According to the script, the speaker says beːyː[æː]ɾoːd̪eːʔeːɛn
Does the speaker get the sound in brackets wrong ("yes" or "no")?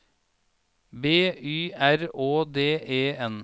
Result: yes